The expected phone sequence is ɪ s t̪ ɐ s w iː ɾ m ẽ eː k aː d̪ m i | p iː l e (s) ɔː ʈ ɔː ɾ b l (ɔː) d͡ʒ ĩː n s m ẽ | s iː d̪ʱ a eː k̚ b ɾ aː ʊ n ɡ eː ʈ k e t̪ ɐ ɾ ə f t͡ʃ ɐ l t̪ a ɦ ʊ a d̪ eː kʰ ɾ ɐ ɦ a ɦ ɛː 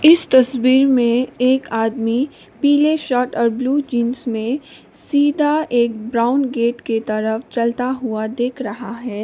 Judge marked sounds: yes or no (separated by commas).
no, no